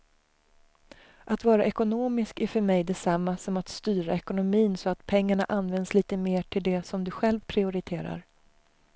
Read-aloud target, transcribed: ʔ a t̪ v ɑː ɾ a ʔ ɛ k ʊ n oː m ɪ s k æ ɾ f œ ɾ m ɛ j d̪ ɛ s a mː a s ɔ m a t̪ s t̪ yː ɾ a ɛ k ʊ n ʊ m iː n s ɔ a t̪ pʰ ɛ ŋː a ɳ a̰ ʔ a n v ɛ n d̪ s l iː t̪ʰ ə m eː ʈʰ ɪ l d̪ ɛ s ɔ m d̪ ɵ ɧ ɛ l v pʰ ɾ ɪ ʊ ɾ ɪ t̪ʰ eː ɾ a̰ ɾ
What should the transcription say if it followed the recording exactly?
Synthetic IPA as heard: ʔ a t̪ v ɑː ɾ a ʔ ɛ k ʊ n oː m ɪ s k æ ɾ f œ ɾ m ɛ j d̪ ɛ s a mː a s ɔ m a t̪ s t̪ yː ɾ a ɛ k ʊ n ʊ m iː n s ɔ a t̪ pʰ ɛ ŋː a ɳ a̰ ʔ a n v ɛ n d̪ s l iː t̪ ə m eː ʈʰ ɪ l d̪ ɛ s ɔ m d̪ ɵ ɧ ɛ l v pʰ ɾ ɪ ʊ ɾ ɪ t̪ʰ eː ɾ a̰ ɾ

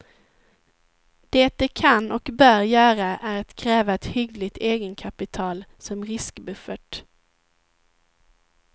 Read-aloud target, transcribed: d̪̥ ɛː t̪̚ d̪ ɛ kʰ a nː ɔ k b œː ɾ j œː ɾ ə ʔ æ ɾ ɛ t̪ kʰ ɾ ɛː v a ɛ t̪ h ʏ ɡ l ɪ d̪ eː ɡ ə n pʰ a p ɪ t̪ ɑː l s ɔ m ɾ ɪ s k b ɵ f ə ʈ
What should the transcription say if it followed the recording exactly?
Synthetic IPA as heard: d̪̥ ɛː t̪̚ d̪ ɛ kʰ a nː ɔ k b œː ɾ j œː ɾ a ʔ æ ɾ a t̪ kʰ ɾ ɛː v a ɛ t̪ h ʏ ɡ l ɪ t̪ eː ɡ ə n kʰ a p ɪ t̪ʰ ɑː l s ɔ m ɾ ɪ s k b ɵ f ə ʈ

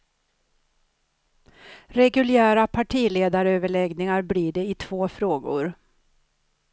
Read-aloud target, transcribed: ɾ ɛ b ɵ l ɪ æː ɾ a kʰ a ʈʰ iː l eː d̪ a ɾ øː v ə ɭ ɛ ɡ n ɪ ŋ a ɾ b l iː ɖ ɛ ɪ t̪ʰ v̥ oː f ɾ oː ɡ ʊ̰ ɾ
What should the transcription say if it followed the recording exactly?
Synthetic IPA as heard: ɾ ɛ ɡ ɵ l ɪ æː ɾ a pʰ a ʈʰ iː l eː d̪ a ɾ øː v ə ɭ ɛ ɡ n ɪ ŋ a ɾ b l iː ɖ ɛ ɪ t̪ʰ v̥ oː f ɾ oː ɡ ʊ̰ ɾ

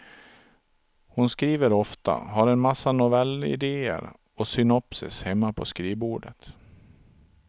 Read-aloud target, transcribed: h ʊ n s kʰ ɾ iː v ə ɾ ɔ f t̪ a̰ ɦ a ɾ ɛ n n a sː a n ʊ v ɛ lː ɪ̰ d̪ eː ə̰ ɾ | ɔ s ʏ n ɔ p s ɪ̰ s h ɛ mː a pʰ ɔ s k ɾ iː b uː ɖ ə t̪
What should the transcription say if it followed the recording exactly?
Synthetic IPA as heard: h ʊ n s k ɾ iː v ə ɾ ɔ f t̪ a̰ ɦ a ɾ ɛ n m a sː a n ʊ v ɛ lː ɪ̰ d̪ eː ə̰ ɾ | ɔ s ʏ n ɔ p s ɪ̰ s h ɛ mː a pʰ ɔ s k ɾ iː b uː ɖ ə t̪

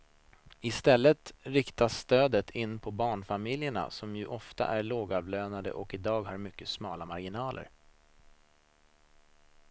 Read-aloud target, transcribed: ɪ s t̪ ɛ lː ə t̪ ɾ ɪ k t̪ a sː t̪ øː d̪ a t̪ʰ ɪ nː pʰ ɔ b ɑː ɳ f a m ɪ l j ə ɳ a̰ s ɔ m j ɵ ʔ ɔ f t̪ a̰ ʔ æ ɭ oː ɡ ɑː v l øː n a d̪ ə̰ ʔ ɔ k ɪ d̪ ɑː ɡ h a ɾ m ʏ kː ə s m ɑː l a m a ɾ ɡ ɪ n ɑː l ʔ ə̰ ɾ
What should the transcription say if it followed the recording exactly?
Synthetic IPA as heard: ɪ s t̪ ɛ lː ə t̪ ɾ ɪ k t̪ a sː t̪ øː d̪ ə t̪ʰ ɪ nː pʰ ɔ b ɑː ɳ f a m ɪ l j ə ɳ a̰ s ɔ m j ɵ ʔ ɔ f t̪ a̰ ʔ æ ɭ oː ɡ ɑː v l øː n a d̪ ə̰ ʔ ɔ k ɪ d̪ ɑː ɡ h a ɾ m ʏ kː ə s m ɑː l a m a ɾ ɡ ɪ n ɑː l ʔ ə̰ ɾ

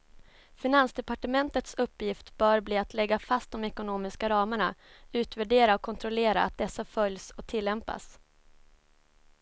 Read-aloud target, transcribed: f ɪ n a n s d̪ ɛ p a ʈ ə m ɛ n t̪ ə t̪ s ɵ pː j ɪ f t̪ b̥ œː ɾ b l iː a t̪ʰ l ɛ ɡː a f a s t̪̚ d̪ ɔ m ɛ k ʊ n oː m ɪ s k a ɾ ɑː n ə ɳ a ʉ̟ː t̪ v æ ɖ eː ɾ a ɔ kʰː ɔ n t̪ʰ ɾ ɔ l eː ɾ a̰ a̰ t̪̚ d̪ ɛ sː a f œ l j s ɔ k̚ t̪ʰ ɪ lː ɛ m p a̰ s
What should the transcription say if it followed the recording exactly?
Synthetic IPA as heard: f ɪ n a n s d̪ ɛ p a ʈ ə m ɛ n t̪ ə t̪ s ɵ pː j ɪ f t̪ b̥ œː ɾ b l iː a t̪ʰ l ɛ ɡː a f a s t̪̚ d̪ ɔ m ɛ k ʊ n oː m ɪ s k a ɾ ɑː m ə ɳ a ʉ̟ː t̪ v æ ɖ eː ɾ a ɔ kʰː ɔ n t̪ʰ ɾ ɔ l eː ɾ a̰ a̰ t̪̚ d̪ ɛ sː a f œ l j s ɔ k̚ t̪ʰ ɪ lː ɛ m p a̰ s

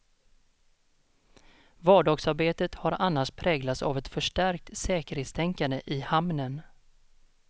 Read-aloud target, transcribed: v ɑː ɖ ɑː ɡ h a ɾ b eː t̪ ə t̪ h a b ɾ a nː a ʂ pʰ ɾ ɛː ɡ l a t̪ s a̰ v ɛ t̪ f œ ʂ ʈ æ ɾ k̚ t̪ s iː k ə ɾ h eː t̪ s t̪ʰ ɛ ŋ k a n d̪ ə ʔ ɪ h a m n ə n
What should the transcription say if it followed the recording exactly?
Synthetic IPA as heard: v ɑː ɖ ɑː ɡ s a ɾ b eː t̪ ə t̪ h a ɾ a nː a ʂ pʰ ɾ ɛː ɡ l a t̪ s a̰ v ɛ t̪ f œ ʂ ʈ æ ɾ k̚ t̪ s ɛː k ə ɾ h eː t̪ s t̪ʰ ɛ ŋ k a n d̪ ə ʔ ɪ h a m n ə n

